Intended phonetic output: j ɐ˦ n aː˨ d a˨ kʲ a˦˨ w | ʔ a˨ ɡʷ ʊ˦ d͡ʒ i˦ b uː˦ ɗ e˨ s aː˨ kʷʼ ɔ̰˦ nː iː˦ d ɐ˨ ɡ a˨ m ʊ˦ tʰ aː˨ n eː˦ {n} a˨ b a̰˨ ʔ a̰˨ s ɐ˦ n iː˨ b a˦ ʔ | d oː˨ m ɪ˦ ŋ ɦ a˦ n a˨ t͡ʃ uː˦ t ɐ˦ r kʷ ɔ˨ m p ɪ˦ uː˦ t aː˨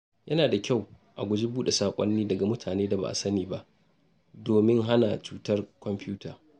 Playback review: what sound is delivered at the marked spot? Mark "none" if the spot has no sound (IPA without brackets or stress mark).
d